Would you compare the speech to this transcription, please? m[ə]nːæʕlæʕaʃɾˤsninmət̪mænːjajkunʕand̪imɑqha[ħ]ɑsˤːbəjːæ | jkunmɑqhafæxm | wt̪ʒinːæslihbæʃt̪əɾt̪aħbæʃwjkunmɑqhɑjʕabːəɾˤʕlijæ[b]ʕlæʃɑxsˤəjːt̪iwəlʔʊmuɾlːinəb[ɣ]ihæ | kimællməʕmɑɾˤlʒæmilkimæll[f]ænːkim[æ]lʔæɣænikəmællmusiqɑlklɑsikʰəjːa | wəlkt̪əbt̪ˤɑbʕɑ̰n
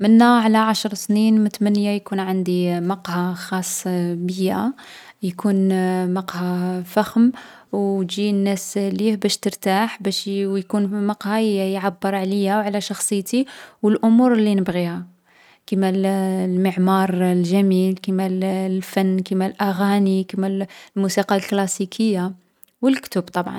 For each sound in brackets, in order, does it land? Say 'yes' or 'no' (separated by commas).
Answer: yes, no, no, yes, yes, yes